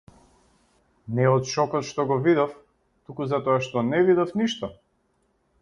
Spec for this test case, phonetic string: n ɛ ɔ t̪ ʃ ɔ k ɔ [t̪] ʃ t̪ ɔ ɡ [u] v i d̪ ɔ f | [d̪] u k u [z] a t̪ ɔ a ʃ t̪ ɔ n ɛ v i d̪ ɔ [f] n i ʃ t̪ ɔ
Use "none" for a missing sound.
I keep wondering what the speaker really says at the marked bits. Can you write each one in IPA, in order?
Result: t̪, ɔ, t̪, z, f

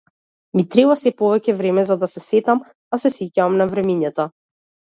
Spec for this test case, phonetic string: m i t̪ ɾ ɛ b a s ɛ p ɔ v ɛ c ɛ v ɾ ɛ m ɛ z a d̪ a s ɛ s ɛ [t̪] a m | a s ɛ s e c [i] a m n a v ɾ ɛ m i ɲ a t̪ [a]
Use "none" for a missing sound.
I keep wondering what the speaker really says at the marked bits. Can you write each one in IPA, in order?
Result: t̪, a, a

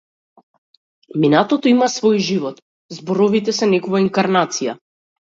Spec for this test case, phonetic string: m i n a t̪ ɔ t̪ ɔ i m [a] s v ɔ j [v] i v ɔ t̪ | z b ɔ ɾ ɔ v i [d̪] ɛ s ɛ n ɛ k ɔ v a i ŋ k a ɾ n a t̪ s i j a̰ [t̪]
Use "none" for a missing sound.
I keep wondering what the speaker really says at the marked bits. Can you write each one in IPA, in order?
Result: a, ʒ, t̪, none

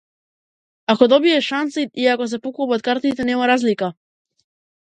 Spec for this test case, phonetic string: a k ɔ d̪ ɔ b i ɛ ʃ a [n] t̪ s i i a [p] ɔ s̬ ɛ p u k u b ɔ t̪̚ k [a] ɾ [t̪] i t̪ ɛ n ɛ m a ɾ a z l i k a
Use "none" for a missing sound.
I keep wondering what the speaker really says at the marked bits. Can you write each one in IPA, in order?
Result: n, k, a, t̪

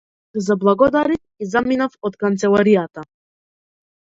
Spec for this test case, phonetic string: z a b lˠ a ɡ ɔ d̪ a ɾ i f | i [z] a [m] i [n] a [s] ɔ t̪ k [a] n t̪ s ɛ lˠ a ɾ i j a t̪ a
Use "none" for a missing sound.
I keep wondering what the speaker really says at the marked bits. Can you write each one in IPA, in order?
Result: z, m, n, f, a

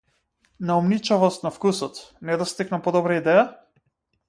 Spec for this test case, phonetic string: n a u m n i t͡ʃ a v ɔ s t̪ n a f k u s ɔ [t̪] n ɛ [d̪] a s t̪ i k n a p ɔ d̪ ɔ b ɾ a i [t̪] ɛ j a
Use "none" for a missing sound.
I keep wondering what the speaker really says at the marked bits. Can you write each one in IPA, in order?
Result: t̪, d̪, d̪

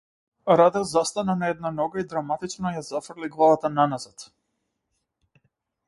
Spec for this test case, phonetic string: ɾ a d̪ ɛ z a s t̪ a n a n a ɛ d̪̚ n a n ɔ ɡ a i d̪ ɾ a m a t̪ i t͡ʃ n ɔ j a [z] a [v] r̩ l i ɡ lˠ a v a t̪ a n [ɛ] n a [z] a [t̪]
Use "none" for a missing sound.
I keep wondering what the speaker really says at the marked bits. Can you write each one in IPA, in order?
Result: z, f, a, z, t̪

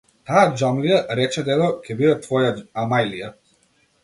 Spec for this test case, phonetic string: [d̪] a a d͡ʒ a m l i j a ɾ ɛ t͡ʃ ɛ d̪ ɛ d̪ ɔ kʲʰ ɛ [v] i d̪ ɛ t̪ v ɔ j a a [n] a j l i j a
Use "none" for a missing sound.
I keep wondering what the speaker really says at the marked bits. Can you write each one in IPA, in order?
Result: t̪, b, m

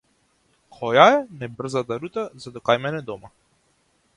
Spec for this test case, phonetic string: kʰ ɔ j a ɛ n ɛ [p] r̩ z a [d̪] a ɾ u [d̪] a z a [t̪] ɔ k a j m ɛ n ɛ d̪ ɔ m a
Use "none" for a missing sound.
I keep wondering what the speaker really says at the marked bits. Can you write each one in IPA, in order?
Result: b, t̪, t̪, d̪

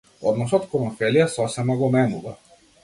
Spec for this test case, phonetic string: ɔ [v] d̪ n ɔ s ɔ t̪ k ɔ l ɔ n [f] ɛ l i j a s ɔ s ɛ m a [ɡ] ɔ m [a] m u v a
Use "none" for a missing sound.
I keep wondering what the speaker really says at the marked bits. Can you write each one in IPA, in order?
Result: none, f, ɡ, ɛ

